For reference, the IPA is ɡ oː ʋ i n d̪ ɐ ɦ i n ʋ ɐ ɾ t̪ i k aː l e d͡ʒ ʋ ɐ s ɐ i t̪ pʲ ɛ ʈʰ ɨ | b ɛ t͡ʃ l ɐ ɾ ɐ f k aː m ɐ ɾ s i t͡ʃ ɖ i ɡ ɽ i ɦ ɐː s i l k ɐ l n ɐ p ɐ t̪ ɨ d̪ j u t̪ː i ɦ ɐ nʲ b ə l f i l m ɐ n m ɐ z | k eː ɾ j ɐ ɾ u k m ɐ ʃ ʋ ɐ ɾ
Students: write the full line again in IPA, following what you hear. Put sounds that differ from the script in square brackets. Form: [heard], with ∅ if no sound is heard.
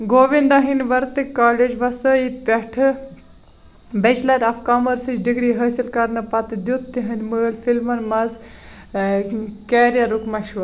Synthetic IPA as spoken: ɡ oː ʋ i n d̪ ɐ ɦ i n ʋ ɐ ɾ t̪ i k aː l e d͡ʒ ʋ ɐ s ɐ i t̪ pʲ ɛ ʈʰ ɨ | b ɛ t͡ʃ l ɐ ɾ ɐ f k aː m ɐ ɾ s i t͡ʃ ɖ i ɡ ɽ i ɦ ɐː s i l k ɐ [ɾ] n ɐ p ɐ t̪ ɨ d̪ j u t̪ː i ɦ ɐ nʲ [m] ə l f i l m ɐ n m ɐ z | k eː ɾ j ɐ ɾ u k m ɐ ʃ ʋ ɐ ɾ